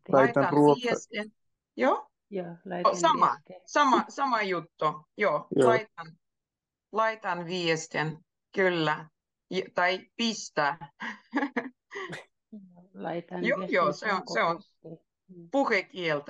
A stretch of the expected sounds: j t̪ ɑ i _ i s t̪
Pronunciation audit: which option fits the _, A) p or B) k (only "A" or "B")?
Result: A